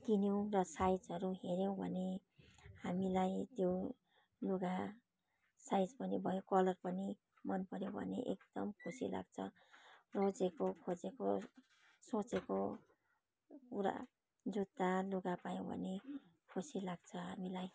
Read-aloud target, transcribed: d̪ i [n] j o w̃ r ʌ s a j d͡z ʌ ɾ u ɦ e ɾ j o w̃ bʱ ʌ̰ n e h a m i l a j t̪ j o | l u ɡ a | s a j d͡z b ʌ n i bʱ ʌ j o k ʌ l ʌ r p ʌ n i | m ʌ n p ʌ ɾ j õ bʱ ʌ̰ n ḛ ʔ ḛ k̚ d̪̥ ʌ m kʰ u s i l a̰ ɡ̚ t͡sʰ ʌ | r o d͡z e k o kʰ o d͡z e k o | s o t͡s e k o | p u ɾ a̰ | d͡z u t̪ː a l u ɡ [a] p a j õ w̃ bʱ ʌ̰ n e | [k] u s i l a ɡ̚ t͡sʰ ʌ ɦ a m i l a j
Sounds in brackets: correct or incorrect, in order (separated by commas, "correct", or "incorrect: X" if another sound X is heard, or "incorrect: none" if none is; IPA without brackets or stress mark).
correct, correct, incorrect: kʰ